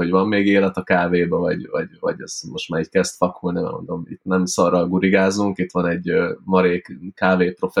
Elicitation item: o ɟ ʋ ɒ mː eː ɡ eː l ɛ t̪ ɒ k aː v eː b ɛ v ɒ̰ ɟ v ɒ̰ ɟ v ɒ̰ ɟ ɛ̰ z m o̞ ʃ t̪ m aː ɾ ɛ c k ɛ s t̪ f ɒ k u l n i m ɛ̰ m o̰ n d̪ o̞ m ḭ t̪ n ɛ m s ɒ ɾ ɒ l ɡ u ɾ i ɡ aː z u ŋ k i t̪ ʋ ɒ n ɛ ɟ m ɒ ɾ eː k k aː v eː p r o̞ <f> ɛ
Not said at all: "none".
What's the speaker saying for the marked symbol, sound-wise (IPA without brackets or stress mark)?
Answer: f